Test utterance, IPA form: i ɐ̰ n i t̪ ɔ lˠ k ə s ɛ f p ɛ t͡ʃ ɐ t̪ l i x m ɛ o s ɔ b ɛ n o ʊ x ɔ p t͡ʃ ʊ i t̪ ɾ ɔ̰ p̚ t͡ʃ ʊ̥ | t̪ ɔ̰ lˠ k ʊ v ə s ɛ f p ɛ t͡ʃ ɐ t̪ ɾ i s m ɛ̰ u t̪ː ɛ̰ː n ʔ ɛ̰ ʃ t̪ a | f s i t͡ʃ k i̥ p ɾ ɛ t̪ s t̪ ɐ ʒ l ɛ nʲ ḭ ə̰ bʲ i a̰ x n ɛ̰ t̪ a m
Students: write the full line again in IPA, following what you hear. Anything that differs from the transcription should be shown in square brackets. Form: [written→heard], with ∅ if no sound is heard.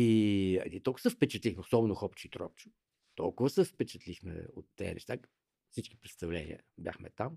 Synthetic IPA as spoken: i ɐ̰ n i t̪ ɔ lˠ k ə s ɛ f p ɛ t͡ʃ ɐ t̪ l i x m ɛ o s ɔ b ɛ n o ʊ x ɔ p t͡ʃ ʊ i t̪ ɾ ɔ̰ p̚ t͡ʃ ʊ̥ | t̪ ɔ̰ lˠ k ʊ v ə s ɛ f p ɛ t͡ʃ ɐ t̪ [ɾ→l] i [s→x] m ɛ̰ [u→o] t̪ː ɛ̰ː n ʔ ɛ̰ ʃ t̪ a | f s i t͡ʃ k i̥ p ɾ ɛ t̪ s t̪ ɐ [ʒ→v] l ɛ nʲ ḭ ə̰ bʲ [i→j] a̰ x [n→m] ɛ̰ t̪ a m